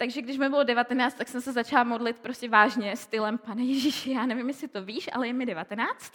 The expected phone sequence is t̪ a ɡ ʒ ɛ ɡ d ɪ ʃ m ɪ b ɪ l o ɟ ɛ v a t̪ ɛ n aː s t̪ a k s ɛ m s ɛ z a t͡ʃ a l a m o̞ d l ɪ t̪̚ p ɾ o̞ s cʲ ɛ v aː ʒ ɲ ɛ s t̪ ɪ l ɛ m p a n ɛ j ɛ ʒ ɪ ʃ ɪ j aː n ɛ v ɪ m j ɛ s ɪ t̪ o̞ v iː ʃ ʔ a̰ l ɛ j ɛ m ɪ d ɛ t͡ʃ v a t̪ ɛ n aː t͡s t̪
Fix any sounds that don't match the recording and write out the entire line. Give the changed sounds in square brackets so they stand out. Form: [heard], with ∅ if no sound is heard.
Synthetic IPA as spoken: t̪ a ɡ ʒ ɛ ɡ d ɪ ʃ m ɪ b ɪ l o [d] ɛ v a t̪ ɛ n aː [t͡s] t̪ a k s ɛ m s ɛ z a t͡ʃ a l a m o̞ d l ɪ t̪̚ p ɾ o̞ s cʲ ɛ v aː ʒ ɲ ɛ s t̪ ɪ l ɛ m p a n ɛ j ɛ ʒ [i] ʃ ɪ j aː n ɛ v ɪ m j ɛ s ɪ t̪ o̞ v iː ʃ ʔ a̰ l ɛ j ɛ m ɪ d ɛ [∅] v a t̪ ɛ n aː t͡s t̪